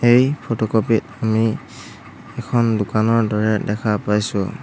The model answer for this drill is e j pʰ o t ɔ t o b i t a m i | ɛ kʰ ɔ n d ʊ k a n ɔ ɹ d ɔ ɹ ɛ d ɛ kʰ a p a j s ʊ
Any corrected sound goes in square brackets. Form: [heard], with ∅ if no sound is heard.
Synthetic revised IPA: e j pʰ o t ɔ [k] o [p] i t a m i | ɛ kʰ ɔ n d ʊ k a n ɔ ɹ d ɔ ɹ ɛ d ɛ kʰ a p a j s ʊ